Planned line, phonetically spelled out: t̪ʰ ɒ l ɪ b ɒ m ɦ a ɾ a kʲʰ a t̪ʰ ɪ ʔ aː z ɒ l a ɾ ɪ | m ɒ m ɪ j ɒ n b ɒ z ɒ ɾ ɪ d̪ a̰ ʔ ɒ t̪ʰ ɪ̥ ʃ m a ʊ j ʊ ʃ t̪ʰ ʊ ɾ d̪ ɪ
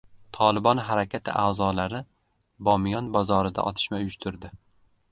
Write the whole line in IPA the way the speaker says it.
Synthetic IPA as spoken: t̪ʰ ɒ l ɪ b ɒ n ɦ a ɾ a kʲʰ a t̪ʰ ɪ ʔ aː z ɒ l a ɾ ɪ | b ɒ m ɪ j ɒ n b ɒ z ɒ ɾ ɪ d̪ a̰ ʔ ɒ t̪ʰ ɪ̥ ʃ m a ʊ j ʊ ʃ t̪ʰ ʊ ɾ d̪ ɪ